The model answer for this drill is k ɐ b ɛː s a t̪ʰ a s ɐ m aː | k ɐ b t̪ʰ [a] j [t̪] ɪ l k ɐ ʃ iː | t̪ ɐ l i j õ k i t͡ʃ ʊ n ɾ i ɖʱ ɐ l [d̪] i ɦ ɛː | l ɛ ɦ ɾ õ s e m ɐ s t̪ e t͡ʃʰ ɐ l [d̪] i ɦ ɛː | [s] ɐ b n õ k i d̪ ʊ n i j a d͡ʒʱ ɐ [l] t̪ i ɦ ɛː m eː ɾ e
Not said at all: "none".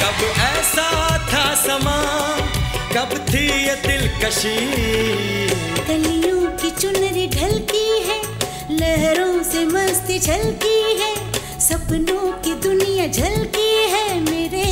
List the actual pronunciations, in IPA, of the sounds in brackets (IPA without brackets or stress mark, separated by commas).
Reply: i, t̪, t̪, t̪, s, l